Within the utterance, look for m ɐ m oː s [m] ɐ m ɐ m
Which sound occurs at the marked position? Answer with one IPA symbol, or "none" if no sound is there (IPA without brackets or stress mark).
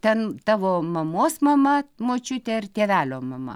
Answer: m